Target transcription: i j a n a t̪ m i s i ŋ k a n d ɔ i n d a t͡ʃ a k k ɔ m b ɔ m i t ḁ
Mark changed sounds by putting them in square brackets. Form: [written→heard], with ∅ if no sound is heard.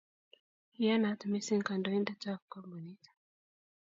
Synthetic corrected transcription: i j a n a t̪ m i s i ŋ k a n d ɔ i n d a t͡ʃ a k k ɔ m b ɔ [m→n] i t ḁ